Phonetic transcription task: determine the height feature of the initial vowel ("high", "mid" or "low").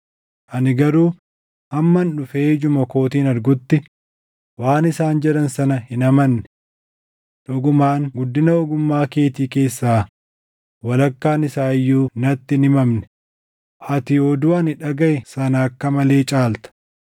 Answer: low